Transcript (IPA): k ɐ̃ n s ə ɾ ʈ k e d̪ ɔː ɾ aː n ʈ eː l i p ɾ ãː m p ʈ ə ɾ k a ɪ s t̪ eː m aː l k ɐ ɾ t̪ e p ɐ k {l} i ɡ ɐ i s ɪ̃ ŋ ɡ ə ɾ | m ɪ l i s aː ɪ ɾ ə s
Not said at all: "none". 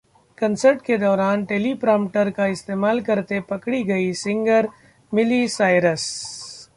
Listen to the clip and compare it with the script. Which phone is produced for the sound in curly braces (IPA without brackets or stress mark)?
ɽ